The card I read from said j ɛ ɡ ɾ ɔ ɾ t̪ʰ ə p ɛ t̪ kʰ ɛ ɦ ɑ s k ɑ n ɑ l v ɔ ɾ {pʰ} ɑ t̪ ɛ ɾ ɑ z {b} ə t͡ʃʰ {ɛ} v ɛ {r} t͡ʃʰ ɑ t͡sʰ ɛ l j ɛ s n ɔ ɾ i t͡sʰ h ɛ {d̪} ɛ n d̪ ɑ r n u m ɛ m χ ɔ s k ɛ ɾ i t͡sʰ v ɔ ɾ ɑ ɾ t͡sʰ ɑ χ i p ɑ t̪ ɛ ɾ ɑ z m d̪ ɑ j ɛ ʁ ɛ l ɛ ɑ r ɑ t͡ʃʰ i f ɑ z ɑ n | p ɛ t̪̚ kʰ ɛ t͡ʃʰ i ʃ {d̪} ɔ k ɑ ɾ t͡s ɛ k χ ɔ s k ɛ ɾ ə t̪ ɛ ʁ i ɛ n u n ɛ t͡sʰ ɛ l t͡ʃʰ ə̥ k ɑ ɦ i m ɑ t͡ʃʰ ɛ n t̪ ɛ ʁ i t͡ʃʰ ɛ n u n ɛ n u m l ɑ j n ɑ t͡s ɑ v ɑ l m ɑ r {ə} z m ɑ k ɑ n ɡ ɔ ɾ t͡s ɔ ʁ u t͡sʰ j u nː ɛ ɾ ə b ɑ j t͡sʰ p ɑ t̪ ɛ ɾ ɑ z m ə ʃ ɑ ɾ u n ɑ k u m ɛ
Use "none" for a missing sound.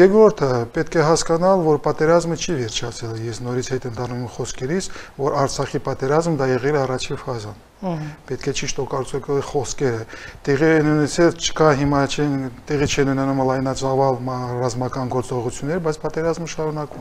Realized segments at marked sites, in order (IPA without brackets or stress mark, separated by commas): p, m, i, ɾ, t̪, t̪, ɑ